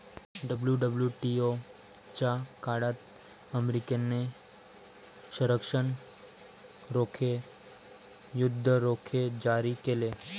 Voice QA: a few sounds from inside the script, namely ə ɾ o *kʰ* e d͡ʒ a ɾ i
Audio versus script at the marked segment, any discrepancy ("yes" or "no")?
no